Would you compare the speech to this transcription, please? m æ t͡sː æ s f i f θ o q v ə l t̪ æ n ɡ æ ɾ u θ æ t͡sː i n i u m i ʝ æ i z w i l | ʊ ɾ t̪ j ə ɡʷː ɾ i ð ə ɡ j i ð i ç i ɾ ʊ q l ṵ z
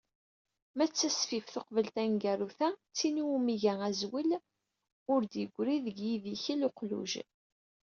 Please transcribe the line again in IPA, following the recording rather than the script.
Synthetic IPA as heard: m æ t͡sː æ s f i f θ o q v ə l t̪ æ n ɡ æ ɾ u θ æ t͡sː i n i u m i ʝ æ æ z w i l | ʊ ɾ d̪ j ə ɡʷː ɾ i ð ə ɡ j i ð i ç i l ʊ q l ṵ ʒ